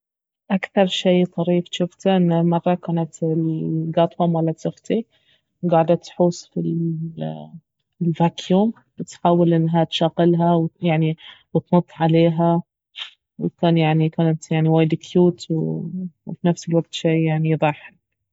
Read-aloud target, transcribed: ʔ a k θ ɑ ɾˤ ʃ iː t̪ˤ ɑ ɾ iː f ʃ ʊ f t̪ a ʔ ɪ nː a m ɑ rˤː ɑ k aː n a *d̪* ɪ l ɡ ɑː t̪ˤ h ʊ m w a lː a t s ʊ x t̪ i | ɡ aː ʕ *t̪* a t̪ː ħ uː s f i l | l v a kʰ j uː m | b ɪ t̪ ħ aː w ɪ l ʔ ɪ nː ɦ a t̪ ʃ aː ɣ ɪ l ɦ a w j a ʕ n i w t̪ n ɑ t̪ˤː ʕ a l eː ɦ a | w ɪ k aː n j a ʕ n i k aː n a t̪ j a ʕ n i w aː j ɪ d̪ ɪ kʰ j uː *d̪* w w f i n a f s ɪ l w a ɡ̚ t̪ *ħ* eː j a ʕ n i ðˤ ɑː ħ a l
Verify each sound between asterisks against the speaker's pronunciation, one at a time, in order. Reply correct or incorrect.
incorrect: t̪, incorrect: d̪, incorrect: t̪, incorrect: ʃ

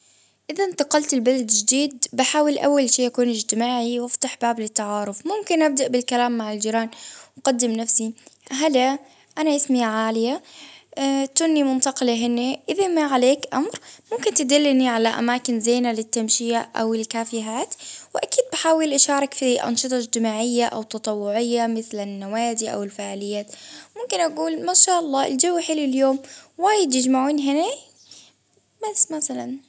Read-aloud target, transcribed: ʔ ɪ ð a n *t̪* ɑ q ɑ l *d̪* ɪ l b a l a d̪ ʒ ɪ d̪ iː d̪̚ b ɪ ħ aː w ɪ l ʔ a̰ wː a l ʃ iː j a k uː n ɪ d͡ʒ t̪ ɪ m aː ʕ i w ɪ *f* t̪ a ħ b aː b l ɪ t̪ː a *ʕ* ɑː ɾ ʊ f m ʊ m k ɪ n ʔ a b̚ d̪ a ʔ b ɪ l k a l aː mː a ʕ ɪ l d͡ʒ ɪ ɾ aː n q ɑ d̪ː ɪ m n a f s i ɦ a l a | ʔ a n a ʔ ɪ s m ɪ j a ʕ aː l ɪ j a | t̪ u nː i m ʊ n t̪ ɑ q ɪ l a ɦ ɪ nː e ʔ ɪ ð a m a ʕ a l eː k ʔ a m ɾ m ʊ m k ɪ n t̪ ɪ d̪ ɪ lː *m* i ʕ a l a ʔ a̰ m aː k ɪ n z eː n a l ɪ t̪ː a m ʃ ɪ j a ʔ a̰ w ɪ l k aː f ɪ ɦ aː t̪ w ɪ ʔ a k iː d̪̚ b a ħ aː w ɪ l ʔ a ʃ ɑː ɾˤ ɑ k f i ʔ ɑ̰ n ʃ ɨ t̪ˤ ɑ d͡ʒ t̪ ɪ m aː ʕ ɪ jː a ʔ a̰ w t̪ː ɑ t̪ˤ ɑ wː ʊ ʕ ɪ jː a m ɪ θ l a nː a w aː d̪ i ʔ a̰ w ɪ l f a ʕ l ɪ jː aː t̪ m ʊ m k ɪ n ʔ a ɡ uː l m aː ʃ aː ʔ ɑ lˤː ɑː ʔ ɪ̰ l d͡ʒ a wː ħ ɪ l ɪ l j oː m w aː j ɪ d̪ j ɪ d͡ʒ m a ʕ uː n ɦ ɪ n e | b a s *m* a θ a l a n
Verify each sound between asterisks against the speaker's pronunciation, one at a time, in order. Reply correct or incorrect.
correct, incorrect: t̪, correct, correct, incorrect: n, correct

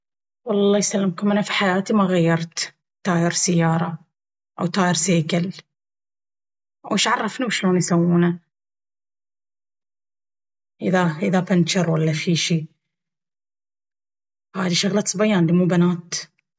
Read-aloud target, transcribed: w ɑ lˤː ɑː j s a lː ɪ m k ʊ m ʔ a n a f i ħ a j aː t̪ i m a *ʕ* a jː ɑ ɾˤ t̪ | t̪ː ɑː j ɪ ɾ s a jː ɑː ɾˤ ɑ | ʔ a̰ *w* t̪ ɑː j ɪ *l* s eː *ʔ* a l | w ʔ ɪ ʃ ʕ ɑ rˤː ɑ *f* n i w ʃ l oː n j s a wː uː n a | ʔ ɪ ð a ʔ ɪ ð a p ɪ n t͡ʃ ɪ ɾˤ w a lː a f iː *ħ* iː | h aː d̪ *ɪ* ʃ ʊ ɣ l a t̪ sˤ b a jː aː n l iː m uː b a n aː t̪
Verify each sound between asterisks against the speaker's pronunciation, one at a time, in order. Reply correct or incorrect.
incorrect: ɣ, correct, incorrect: ɾ, incorrect: k, correct, incorrect: ʃ, incorrect: i

